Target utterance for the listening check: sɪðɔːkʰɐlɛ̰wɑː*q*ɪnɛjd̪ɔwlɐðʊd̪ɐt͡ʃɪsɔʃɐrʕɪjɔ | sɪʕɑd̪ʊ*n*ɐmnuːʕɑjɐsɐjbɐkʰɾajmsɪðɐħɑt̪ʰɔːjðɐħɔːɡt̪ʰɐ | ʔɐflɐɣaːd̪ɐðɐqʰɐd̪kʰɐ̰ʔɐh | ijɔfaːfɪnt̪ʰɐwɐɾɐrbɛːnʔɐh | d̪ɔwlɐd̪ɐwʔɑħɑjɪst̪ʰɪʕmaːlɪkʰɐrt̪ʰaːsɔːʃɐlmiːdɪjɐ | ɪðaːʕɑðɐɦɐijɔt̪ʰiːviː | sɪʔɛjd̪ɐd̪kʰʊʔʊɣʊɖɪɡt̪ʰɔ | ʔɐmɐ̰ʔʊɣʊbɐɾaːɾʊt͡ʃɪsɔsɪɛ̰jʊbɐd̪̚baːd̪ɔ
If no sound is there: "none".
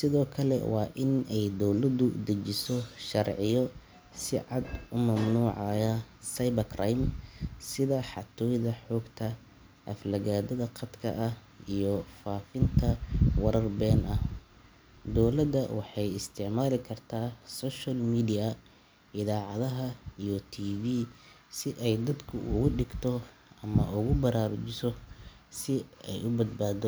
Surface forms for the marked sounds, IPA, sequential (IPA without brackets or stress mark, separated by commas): ʔ, m